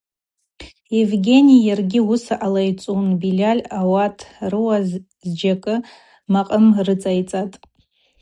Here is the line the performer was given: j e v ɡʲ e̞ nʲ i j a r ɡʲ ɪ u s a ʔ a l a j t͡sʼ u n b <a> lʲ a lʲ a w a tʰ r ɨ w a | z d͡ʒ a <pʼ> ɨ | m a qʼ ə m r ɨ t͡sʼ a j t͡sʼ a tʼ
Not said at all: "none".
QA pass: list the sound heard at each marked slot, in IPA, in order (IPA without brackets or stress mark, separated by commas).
i, kʼ